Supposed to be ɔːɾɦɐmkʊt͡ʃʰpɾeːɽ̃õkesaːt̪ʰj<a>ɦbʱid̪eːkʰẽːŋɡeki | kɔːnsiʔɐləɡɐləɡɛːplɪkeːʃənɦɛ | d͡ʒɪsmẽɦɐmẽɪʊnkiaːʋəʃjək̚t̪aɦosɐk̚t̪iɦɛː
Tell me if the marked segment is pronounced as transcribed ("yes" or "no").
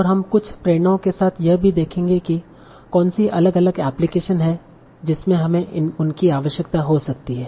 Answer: no